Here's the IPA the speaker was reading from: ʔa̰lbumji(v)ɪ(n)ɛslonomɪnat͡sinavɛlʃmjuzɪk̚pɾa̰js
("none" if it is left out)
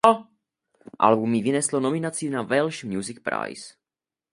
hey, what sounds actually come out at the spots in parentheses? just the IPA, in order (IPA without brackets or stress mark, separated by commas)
v, n